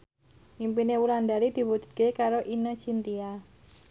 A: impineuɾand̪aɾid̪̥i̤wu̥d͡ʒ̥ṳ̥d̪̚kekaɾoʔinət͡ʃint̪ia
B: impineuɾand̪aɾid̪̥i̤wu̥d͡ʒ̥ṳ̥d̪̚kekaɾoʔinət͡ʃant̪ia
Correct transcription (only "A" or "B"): A